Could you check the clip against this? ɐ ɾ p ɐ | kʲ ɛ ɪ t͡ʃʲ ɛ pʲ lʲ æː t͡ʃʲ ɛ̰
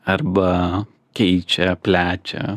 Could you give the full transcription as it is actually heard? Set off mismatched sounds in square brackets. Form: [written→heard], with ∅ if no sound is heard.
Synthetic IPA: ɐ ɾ [p→b] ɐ | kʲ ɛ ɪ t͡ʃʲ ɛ pʲ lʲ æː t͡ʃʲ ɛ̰